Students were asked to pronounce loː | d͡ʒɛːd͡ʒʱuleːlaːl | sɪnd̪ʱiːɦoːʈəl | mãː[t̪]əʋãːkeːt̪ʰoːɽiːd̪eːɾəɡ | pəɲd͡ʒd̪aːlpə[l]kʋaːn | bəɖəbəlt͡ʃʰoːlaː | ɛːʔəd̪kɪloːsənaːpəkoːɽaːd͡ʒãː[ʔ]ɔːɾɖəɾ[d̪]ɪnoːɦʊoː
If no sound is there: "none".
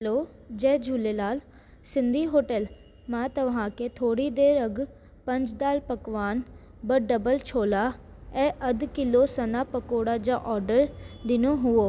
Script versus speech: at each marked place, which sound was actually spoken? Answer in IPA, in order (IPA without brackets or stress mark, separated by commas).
t̪, none, ʔ, d̪